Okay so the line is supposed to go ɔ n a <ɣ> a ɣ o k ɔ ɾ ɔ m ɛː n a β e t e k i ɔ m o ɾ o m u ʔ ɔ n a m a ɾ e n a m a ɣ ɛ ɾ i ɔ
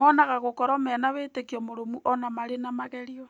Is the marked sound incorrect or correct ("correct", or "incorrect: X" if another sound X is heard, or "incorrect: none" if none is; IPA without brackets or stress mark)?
correct